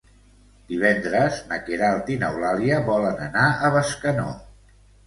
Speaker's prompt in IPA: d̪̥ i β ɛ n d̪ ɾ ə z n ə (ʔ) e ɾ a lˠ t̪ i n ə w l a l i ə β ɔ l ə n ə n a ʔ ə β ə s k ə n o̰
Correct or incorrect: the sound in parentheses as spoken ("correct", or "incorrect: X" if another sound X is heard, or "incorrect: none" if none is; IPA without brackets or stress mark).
incorrect: k